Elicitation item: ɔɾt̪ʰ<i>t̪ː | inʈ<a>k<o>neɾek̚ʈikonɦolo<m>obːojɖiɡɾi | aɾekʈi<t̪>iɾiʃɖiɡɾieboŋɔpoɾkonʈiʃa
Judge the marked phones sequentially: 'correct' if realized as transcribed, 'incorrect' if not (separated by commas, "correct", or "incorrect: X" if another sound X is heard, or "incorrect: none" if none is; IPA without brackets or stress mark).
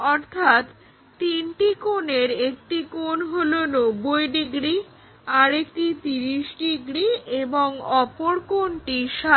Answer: incorrect: a, incorrect: i, correct, incorrect: n, correct